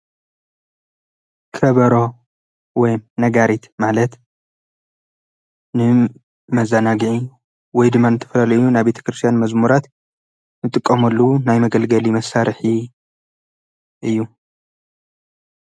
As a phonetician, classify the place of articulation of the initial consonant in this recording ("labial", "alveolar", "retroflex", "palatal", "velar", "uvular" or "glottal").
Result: velar